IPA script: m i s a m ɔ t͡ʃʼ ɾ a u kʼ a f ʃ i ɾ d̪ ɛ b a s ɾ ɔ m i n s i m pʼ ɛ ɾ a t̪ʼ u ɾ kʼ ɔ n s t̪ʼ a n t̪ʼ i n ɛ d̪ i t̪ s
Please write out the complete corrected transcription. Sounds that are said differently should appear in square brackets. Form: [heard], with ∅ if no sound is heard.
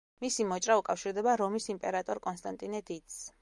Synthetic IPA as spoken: m i s [i] m ɔ t͡ʃʼ ɾ a u kʼ a f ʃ i ɾ d̪ ɛ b a [∅] ɾ ɔ m i [∅] s i m pʼ ɛ ɾ a t̪ʼ [ɔ] ɾ kʼ ɔ n s t̪ʼ a n t̪ʼ i n ɛ d̪ i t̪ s